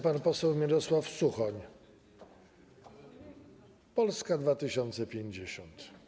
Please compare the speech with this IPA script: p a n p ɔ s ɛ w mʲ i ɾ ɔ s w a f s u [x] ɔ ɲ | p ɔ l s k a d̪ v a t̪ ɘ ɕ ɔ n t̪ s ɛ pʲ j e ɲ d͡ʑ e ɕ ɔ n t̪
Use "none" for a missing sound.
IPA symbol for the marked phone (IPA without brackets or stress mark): x